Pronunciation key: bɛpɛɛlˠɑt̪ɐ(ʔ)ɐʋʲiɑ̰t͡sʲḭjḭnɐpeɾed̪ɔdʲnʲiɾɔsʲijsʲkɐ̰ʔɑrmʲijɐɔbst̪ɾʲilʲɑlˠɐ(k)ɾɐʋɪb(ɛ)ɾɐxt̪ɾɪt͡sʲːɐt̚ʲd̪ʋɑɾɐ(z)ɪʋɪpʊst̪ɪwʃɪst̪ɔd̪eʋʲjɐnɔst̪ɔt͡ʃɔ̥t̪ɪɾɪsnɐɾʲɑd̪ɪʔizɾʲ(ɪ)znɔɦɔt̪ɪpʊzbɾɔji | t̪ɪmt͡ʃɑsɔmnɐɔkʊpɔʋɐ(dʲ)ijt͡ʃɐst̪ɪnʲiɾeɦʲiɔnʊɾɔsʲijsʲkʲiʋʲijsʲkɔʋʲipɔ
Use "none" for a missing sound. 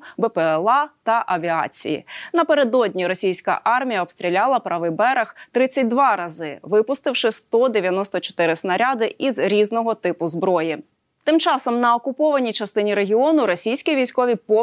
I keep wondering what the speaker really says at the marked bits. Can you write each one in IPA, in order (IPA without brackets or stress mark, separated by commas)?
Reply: ʔ, p, ɛ, z, i, nʲ